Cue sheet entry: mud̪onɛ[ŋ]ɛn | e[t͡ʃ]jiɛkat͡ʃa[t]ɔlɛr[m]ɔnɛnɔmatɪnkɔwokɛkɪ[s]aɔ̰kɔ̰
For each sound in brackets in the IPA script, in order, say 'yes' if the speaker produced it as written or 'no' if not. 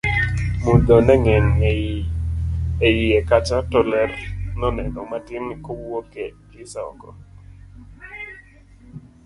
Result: yes, no, yes, no, yes

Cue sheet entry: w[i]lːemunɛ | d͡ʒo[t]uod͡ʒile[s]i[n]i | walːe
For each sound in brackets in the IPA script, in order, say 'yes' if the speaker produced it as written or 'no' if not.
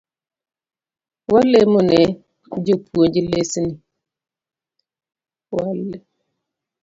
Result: no, no, yes, yes

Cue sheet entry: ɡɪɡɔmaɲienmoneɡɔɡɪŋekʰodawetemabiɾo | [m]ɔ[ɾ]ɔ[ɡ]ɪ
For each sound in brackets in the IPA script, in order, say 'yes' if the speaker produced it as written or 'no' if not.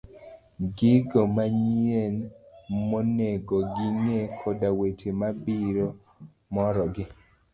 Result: yes, yes, yes

